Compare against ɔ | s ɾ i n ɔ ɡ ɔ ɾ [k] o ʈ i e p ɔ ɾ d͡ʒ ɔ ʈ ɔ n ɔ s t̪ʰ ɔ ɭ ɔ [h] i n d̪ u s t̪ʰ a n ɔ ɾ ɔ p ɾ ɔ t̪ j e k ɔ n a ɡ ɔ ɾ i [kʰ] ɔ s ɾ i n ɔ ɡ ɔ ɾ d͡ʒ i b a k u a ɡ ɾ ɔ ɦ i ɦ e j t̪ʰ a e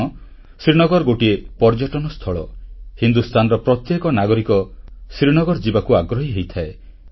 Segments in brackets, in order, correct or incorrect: incorrect, correct, incorrect

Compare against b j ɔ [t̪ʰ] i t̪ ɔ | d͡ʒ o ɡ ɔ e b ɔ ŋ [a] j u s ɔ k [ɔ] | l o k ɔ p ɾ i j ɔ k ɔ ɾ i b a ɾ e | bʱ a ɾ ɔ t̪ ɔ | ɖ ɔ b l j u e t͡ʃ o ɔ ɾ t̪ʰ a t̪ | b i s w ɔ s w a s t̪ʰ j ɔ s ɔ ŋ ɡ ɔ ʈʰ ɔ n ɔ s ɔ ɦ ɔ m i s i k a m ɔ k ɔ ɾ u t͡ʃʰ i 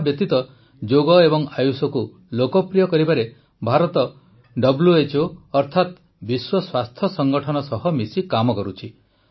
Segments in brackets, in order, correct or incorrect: incorrect, correct, incorrect

